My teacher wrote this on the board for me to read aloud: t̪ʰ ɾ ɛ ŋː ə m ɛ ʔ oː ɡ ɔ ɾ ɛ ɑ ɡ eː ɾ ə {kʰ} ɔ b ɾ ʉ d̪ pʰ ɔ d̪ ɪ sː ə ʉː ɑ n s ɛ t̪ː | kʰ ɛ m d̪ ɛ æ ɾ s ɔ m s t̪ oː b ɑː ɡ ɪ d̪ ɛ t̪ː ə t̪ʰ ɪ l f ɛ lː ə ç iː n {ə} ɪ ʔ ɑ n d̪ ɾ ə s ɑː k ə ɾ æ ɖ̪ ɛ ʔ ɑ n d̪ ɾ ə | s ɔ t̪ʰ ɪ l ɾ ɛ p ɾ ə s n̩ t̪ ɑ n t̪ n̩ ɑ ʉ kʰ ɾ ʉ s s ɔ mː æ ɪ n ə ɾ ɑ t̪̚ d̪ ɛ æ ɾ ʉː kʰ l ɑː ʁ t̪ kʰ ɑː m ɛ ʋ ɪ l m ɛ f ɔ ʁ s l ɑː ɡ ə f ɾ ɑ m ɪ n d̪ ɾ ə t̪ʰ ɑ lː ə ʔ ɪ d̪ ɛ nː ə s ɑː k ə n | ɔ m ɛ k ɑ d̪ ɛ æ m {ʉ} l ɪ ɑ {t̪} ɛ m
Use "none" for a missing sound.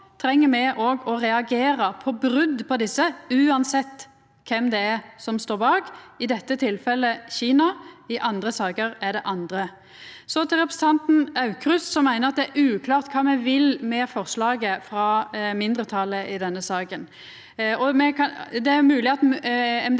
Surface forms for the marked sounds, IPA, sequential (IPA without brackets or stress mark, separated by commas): pʰ, ɑ, ʉː, t̪